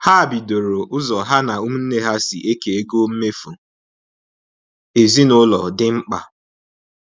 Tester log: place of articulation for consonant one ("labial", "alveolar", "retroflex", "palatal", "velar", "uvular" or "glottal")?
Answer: glottal